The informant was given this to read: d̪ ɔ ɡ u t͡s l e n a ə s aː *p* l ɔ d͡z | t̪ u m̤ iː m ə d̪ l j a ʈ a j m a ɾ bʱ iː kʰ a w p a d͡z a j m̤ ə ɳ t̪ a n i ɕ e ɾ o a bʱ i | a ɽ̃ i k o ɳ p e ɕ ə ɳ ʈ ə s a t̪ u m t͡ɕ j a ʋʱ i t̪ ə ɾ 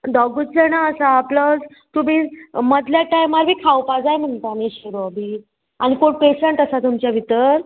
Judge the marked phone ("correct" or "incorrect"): correct